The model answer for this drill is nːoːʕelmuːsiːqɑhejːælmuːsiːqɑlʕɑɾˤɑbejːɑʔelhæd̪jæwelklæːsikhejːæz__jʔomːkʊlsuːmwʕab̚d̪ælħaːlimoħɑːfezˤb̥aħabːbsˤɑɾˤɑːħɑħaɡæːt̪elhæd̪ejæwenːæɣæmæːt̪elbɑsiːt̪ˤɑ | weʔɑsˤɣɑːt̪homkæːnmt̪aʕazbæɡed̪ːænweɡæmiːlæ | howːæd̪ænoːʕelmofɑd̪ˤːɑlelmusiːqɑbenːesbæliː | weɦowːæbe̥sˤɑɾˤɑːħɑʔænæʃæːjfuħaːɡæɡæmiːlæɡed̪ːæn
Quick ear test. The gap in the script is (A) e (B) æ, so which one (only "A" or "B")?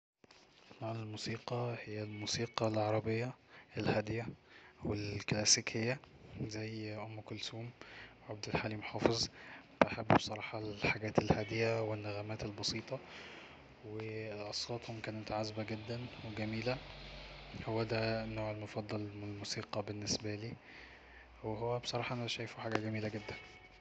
B